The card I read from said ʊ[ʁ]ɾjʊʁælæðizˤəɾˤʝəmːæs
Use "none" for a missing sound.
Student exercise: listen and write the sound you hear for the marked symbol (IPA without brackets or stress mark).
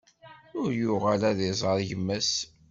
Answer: none